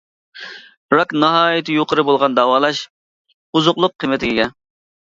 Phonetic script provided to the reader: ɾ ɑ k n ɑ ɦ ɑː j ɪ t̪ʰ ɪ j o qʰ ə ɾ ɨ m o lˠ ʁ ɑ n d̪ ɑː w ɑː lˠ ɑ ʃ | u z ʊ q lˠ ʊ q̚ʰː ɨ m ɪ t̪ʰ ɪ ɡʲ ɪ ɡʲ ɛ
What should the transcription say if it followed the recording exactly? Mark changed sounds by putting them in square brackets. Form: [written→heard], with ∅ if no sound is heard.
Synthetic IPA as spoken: ɾ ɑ k n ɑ ɦ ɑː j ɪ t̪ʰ ɪ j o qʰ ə ɾ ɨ [m→b] o lˠ ʁ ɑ n d̪ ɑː w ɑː lˠ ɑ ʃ | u z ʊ q lˠ ʊ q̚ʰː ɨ m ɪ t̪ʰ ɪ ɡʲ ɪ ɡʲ ɛ